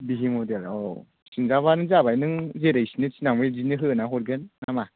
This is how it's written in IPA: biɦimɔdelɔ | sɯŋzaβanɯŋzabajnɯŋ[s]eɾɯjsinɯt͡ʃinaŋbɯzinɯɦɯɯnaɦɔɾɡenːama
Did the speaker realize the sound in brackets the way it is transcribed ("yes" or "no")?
no